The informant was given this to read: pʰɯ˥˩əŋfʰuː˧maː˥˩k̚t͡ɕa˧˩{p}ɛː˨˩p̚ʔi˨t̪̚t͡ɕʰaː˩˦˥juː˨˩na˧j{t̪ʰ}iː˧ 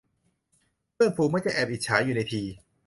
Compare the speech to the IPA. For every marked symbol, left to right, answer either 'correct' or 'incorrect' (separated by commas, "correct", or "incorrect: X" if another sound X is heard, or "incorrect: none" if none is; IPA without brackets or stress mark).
incorrect: ʔ, correct